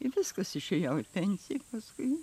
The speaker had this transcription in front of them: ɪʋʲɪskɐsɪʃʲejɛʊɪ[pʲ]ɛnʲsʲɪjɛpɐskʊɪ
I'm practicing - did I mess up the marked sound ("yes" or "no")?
no